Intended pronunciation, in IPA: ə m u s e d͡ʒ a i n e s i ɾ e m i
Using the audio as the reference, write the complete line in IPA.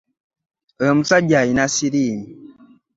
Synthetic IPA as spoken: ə m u s a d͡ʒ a i n a s i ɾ i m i